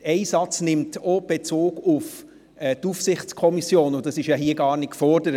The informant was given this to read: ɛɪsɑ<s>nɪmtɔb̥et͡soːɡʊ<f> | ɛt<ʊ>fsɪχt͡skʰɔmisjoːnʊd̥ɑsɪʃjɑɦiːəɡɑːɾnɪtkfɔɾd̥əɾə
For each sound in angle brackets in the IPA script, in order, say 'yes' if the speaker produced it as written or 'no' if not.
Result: no, yes, no

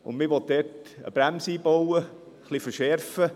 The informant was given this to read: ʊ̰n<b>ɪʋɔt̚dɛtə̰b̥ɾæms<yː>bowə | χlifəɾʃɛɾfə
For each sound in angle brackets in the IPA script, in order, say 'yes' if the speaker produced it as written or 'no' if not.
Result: no, no

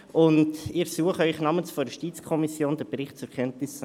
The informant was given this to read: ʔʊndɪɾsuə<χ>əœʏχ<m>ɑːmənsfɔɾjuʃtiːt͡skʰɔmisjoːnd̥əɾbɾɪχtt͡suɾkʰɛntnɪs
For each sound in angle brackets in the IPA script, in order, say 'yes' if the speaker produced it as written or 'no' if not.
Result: yes, no

